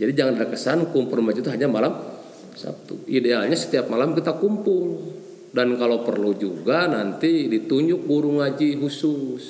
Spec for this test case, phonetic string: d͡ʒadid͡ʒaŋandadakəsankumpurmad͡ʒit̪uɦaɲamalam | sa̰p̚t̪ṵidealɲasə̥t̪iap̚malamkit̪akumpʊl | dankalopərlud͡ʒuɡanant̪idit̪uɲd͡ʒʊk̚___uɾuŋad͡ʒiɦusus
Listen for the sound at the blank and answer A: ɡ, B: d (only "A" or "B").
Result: A